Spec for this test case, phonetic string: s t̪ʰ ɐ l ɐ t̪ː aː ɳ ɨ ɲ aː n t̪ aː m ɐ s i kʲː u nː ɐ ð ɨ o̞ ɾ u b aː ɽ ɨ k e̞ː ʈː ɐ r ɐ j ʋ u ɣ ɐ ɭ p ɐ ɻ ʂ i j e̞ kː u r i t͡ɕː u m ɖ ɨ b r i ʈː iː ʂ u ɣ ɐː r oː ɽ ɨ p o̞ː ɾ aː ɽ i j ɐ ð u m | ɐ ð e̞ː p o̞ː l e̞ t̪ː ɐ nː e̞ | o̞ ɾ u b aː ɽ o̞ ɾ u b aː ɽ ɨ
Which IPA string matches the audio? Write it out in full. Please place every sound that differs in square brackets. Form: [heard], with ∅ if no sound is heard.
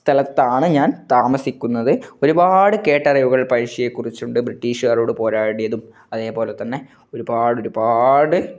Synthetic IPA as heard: s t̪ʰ ɐ l ɐ t̪ː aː ɳ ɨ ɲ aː n t̪ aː m ɐ s i kʲː u nː ɐ ð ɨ o̞ ɾ u b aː ɽ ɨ k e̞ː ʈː ɐ r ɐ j ʋ u ɣ ɐ ɭ p ɐ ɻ ʂ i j e̞ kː u r i t͡ɕː u [ɳ] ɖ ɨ b r i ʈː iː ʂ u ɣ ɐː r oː ɽ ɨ p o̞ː ɾ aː ɽ i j ɐ ð u m | ɐ ð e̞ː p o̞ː l e̞ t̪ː ɐ nː e̞ | o̞ ɾ u b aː ɽ o̞ ɾ u b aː ɽ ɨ